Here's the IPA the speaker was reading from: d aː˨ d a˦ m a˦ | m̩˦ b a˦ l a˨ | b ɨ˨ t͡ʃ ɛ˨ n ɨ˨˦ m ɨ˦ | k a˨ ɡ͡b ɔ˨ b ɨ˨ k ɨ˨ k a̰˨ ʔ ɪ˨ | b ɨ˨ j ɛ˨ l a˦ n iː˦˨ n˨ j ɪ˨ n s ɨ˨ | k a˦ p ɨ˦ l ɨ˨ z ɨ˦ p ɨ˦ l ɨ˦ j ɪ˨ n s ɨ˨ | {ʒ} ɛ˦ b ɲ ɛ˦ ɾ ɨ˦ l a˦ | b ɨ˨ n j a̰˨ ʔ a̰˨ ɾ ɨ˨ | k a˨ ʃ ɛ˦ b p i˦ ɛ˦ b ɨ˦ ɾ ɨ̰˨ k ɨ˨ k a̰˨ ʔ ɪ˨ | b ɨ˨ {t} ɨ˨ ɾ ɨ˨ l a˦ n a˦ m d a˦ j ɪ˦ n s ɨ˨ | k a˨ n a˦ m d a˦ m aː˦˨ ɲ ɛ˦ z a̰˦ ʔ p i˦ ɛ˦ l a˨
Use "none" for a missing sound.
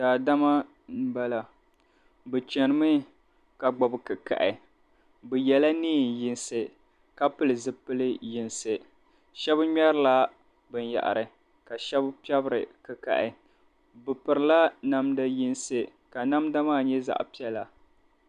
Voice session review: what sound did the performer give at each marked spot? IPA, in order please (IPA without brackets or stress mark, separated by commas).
ʃ, p